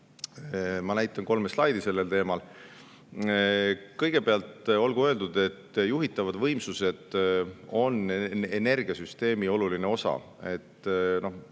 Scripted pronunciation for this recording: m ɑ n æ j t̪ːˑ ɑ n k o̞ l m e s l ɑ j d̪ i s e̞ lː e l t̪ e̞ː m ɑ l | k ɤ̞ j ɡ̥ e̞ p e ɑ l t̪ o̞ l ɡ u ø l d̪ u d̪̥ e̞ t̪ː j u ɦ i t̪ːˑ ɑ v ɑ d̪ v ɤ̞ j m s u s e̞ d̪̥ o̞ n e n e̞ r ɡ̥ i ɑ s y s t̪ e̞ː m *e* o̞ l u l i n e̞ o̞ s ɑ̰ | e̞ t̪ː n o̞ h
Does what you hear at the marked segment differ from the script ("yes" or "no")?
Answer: yes